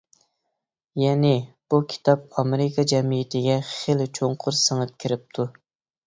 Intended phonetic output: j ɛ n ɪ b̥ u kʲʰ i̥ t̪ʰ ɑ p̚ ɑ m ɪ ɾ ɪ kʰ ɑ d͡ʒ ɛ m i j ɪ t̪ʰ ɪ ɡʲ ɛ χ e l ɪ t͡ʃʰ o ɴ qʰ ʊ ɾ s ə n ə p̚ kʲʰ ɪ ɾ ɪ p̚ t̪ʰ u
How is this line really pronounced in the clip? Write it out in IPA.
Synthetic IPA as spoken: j ɛ n ɪ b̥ u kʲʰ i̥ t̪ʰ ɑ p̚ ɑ m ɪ ɾ ɪ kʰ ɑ d͡ʒ ɛ m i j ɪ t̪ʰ ɪ ɡʲ ɛ χ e l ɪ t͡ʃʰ o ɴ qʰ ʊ ɾ s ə ŋ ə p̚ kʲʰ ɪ ɾ ɪ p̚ t̪ʰ u